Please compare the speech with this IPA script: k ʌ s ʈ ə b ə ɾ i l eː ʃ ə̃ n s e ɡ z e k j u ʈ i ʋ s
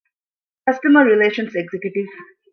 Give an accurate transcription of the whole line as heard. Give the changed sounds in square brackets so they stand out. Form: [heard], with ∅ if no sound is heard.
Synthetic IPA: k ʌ s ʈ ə [m] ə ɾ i l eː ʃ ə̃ n s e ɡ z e k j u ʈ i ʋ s